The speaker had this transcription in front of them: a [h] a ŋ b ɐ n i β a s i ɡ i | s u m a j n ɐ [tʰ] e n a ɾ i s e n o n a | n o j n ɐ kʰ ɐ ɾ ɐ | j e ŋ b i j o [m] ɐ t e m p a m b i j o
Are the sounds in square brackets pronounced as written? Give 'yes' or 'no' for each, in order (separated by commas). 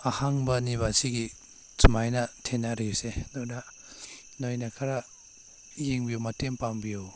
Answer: yes, yes, yes